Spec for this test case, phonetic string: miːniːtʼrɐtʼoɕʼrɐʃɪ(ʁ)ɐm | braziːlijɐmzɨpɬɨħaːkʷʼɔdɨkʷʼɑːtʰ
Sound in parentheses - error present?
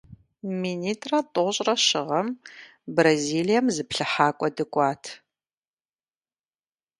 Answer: no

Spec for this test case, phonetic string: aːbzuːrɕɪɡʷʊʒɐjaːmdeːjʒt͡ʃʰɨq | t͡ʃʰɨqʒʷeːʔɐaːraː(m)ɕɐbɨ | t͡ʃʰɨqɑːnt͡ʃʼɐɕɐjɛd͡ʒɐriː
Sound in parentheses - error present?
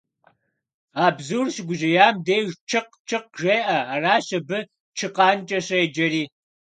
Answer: yes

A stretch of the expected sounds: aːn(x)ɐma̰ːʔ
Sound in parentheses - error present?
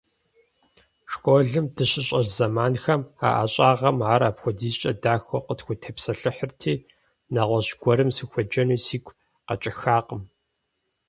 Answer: no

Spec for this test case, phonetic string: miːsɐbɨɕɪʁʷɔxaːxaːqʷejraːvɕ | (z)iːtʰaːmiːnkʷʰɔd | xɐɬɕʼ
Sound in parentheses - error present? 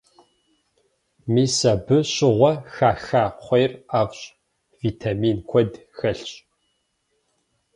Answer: yes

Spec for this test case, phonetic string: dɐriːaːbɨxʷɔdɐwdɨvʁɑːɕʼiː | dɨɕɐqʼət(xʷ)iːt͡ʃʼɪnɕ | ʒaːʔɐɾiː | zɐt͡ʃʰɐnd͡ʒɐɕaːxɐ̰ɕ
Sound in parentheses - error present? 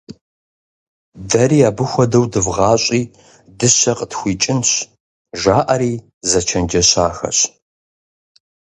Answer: no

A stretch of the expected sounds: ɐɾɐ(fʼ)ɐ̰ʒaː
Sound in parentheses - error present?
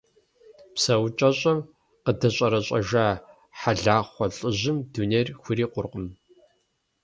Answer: yes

